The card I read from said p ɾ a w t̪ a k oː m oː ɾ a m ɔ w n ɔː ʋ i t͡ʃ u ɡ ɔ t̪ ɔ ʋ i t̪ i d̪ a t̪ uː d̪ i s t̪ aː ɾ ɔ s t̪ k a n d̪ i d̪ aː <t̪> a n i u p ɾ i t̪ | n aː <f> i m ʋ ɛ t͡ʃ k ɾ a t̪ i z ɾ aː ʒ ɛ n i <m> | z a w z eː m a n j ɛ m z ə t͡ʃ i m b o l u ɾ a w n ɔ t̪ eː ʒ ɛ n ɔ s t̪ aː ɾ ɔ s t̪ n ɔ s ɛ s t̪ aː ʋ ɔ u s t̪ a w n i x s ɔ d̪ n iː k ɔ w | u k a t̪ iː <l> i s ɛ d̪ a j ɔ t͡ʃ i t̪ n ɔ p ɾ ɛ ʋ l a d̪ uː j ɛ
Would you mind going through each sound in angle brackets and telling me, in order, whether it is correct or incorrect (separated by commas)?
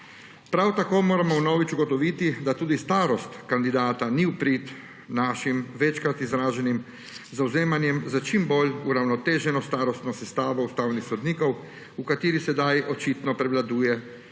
correct, incorrect, correct, incorrect